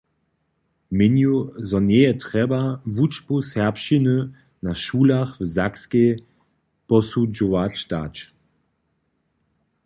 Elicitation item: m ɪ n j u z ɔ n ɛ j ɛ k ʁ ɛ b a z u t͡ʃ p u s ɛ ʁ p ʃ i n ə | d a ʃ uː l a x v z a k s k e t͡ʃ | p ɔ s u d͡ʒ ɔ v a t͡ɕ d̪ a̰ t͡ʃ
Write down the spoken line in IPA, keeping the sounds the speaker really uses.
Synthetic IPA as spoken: m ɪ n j u z ɔ n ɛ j ɛ t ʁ ɛ b a v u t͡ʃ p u s ɛ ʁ p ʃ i n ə | n a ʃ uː l a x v z a k s k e | p ɔ s u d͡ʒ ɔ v a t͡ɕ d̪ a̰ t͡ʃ